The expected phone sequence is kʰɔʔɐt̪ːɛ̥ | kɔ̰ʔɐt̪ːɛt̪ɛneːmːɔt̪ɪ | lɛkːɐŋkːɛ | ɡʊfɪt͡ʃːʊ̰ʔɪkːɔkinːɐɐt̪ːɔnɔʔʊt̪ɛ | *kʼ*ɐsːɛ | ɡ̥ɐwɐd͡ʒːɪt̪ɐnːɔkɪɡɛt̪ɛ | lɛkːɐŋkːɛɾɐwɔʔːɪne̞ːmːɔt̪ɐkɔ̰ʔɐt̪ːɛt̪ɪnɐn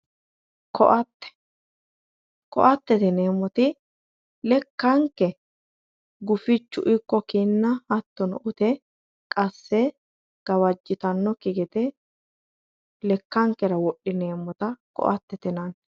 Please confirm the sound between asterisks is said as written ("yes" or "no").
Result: yes